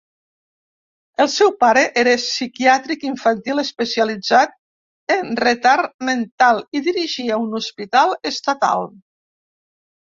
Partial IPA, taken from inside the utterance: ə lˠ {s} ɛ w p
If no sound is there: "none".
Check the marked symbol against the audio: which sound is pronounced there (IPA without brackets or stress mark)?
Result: s